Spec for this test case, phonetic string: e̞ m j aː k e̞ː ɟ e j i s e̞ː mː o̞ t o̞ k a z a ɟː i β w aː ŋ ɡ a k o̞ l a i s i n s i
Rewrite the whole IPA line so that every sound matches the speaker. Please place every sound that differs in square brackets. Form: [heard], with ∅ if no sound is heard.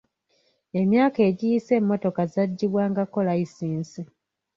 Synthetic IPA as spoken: e̞ m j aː k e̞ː ɟ [i] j i s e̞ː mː o̞ t o̞ k a z a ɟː i β w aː ŋ ɡ a k o̞ l a i s [iː] n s i